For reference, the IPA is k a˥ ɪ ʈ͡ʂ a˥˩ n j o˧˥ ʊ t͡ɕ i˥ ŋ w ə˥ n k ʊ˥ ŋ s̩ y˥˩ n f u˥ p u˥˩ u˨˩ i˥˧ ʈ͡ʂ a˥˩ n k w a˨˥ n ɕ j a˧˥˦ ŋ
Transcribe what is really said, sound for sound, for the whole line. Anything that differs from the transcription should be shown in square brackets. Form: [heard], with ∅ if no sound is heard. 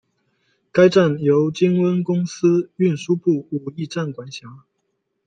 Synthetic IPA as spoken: k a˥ ɪ ʈ͡ʂ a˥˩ n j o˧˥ ʊ t͡ɕ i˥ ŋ w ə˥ n k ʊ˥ ŋ s̩ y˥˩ n [ʂ] u˥ p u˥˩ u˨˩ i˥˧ ʈ͡ʂ a˥˩ n k w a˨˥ n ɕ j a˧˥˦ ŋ